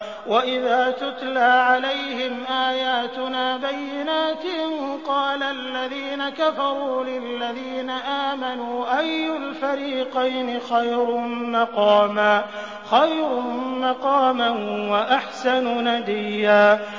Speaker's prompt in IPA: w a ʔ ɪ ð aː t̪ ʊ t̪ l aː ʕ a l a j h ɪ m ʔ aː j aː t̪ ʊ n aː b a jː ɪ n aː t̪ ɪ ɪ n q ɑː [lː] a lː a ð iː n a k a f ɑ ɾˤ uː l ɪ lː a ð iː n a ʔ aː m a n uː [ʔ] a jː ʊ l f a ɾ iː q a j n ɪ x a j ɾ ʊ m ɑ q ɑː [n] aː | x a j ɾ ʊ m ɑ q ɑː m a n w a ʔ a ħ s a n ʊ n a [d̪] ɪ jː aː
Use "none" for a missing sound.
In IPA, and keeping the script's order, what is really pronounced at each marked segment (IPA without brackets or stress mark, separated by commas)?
l, ʔ, m, d̪